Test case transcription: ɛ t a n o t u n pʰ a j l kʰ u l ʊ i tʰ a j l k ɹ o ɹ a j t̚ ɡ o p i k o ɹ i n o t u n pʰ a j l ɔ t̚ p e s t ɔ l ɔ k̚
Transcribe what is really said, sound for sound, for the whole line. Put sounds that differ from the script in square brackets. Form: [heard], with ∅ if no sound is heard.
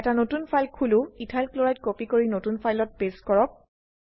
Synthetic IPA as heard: ɛ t a n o t u n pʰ a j l kʰ u l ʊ i tʰ a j l k [l] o ɹ a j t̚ [k] o p i k o ɹ i n o t u n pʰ a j l ɔ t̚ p e s [k] ɔ [ɹ] ɔ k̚